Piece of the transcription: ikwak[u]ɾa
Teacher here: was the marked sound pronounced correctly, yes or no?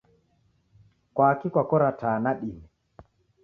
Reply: no